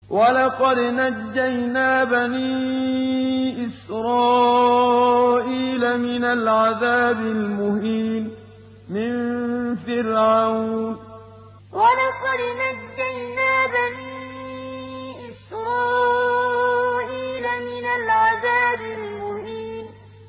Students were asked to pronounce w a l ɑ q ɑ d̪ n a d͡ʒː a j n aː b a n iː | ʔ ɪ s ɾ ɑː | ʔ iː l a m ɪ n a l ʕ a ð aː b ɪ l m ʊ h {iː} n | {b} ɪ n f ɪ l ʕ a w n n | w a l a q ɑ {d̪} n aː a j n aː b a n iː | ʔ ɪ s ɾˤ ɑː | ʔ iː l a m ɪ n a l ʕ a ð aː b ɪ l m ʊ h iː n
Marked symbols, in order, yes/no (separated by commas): yes, no, yes